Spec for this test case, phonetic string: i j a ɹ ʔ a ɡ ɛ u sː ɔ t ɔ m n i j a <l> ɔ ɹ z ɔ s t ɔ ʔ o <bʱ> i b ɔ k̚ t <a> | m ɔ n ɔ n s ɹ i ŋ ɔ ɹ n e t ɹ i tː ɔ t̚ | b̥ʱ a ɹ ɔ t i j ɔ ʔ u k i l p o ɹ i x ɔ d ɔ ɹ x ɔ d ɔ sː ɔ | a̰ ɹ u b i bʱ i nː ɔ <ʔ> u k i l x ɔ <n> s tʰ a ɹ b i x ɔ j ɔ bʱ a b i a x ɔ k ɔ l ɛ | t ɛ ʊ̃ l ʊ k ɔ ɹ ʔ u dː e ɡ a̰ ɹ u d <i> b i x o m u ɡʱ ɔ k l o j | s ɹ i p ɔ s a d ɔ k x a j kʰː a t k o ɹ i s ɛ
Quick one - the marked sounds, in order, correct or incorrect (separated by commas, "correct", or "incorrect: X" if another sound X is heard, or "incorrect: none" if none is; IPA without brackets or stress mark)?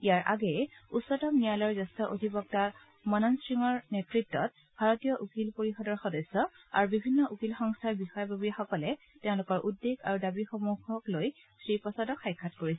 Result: correct, incorrect: dʱ, correct, correct, incorrect: ŋ, incorrect: a